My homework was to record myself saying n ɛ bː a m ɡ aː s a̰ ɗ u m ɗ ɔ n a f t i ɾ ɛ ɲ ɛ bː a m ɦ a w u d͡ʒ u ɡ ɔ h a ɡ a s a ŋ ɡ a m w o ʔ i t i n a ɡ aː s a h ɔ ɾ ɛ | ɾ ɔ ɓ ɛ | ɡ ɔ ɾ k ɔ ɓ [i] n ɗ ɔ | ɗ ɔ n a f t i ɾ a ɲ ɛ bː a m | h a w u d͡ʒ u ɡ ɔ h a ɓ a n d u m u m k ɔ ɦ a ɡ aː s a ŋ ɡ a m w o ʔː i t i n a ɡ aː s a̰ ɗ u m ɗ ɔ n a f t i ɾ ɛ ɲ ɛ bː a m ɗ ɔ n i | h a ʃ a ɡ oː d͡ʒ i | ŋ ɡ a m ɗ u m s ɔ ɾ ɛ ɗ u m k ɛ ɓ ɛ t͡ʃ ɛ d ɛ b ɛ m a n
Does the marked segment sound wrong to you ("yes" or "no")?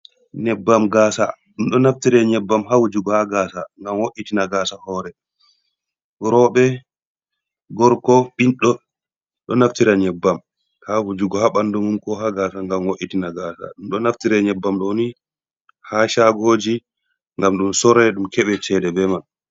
no